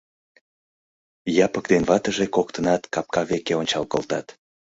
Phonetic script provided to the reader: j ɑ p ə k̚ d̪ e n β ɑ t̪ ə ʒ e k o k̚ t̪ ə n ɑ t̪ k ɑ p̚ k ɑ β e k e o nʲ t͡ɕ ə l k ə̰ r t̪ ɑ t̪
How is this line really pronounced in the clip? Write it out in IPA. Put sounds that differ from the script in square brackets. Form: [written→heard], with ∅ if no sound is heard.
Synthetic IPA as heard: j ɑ p ə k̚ d̪ e n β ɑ t̪ ə ʒ e k o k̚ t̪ ə n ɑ t̪ k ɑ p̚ k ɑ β e k e o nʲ t͡ɕ [ə→ɑ] l k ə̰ [r→l] t̪ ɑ t̪

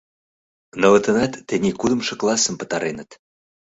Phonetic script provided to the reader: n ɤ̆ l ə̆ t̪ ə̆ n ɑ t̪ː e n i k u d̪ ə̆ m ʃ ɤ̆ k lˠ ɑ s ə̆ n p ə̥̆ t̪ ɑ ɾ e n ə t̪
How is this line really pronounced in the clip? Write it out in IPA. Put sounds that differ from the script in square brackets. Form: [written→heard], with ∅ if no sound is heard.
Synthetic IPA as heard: n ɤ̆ l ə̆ t̪ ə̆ n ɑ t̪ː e n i k u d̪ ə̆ m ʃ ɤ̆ k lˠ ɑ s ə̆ [n→m] p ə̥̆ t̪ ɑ ɾ e n ə t̪

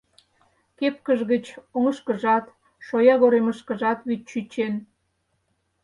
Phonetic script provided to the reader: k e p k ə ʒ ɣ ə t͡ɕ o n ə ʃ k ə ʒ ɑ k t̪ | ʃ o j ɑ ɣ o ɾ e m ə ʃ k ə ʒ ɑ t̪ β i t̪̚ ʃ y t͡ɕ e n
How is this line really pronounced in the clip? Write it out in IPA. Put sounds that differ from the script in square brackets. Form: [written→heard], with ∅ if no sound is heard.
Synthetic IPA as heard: k e p k ə ʒ ɣ ə t͡ɕ o [n→ŋ] ə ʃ k ə ʒ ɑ [k→∅] t̪ | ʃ o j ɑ ɣ o ɾ e m ə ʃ k ə ʒ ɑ t̪ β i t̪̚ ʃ y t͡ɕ e n

